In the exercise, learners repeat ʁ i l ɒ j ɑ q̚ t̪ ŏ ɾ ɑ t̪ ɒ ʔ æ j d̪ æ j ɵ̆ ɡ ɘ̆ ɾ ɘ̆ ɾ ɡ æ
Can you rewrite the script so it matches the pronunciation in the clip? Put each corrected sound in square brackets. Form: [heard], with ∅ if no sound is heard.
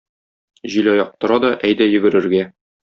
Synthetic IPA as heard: [ʑ] i l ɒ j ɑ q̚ t̪ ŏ ɾ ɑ [d̪] ɒ ʔ æ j d̪ æ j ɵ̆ ɡ ɘ̆ ɾ ɘ̆ ɾ ɡ æ